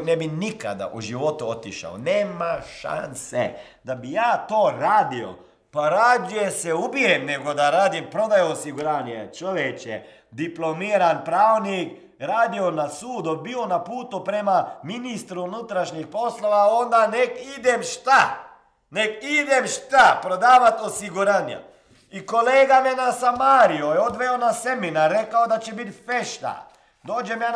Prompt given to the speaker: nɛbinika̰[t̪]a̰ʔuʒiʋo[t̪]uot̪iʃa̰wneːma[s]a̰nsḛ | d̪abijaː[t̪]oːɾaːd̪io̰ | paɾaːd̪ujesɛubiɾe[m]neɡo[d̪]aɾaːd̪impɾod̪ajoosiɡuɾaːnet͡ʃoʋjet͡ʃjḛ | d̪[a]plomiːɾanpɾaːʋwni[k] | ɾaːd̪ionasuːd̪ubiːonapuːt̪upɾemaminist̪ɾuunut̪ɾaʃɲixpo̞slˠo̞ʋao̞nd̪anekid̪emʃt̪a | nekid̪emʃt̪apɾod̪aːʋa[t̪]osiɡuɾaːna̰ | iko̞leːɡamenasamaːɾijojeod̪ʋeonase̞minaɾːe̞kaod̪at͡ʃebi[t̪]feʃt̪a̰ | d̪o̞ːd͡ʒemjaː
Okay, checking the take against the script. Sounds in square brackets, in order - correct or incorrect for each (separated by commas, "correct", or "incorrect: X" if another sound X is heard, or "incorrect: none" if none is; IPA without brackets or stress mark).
incorrect: d̪, correct, incorrect: ʃ, correct, correct, correct, incorrect: i, correct, correct, correct